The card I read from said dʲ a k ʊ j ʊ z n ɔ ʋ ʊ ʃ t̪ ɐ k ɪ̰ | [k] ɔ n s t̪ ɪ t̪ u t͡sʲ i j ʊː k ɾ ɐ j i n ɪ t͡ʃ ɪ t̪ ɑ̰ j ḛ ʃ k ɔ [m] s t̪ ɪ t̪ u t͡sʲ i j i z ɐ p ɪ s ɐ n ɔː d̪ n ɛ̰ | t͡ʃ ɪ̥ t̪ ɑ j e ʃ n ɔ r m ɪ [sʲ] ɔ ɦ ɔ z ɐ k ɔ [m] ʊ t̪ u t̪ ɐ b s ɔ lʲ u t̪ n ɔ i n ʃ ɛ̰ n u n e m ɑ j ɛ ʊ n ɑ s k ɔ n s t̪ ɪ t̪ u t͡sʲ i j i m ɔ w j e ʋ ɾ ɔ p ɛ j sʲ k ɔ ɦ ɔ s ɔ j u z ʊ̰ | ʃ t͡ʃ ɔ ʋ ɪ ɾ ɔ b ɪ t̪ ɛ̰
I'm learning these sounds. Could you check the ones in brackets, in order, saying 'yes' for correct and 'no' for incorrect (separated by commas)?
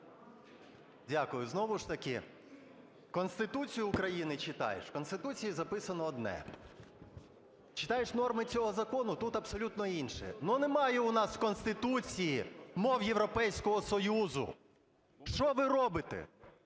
yes, no, no, no